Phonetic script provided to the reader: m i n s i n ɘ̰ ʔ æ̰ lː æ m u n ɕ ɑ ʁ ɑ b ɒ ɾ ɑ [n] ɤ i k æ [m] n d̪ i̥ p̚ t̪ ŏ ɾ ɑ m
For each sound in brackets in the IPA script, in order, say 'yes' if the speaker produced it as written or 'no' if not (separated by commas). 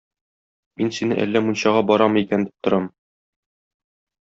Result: no, no